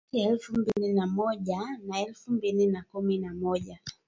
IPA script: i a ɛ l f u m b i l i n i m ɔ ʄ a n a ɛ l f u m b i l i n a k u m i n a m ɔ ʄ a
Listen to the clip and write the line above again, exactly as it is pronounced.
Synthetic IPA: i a ɛ l f u m b i l i n a m ɔ ʄ a n a ɛ l f u m b i l i n a k u m i n a m ɔ ʄ a